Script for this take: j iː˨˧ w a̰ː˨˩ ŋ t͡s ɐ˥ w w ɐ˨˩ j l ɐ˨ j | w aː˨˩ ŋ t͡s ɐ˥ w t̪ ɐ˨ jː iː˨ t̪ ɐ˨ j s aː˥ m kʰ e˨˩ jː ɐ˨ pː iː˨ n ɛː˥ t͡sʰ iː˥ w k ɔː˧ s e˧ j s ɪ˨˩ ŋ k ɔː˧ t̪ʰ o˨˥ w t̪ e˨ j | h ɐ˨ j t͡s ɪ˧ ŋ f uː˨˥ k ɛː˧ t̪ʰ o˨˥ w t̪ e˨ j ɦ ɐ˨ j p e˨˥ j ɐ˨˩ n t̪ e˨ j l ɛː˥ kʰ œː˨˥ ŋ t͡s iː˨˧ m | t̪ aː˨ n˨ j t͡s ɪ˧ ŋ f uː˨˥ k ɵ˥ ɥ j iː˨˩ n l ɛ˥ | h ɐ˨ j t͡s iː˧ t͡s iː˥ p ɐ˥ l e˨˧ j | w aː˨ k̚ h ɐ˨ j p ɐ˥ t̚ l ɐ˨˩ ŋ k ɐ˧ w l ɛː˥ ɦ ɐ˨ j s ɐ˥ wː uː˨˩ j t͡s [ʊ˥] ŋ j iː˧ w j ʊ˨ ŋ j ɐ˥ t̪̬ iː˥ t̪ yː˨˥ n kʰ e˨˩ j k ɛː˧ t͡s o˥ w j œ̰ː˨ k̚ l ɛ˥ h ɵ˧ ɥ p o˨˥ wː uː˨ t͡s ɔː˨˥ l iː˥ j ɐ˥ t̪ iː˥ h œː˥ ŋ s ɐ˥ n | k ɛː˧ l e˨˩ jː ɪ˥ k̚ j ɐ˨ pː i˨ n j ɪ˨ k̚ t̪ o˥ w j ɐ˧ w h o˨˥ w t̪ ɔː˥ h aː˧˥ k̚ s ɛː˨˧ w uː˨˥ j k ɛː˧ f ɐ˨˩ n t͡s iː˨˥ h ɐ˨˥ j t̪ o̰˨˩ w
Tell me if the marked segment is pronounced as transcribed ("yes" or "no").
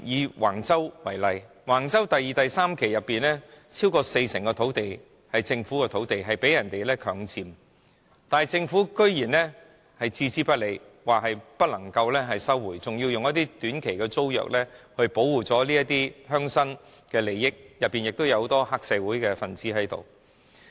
no